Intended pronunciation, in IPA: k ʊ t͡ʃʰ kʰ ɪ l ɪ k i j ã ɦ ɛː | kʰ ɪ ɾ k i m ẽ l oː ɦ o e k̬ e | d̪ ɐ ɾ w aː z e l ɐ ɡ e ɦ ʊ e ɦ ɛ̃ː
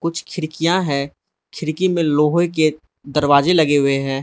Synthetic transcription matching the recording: k ʊ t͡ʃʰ kʰ ɪ ɾ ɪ k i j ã ɦ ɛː | kʰ ɪ ɾ k i m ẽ l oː ɦ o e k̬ e | d̪ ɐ ɾ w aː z e l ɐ ɡ e ɦ ʊ e ɦ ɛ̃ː